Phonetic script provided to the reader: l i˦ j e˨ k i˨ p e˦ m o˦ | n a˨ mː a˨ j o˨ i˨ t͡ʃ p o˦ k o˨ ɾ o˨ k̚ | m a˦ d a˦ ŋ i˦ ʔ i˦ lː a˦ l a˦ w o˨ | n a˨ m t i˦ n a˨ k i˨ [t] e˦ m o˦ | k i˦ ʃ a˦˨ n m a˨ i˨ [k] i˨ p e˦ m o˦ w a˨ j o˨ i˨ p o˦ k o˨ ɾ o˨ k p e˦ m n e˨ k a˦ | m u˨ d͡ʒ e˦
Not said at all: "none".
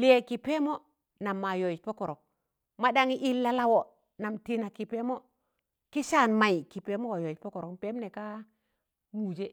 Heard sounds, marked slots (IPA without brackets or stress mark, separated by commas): p, k